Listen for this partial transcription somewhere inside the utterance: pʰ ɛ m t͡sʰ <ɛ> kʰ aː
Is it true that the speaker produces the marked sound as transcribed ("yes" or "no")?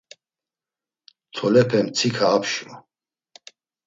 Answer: no